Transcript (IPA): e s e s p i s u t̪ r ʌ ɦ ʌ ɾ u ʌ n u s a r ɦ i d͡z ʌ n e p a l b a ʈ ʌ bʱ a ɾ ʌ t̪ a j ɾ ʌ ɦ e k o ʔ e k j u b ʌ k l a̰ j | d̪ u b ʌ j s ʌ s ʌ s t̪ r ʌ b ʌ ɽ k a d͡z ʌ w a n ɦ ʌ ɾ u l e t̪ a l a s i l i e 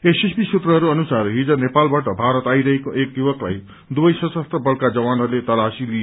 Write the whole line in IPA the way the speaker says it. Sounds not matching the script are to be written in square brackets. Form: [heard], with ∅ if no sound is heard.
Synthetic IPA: e s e s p i s u t̪ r ʌ ɦ ʌ ɾ u ʌ n u s a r ɦ i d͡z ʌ n e p a l b a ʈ ʌ bʱ a ɾ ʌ t̪ a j ɾ ʌ ɦ e k o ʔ e k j u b ʌ k l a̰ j | d̪ u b ʌ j s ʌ s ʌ s t̪ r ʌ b ʌ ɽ k a d͡z ʌ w a n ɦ ʌ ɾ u l e t̪ [ʌ] l a s i l i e